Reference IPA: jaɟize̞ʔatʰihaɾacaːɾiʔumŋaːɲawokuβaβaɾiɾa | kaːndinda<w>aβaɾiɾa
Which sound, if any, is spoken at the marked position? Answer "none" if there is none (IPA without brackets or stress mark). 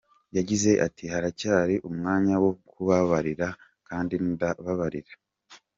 β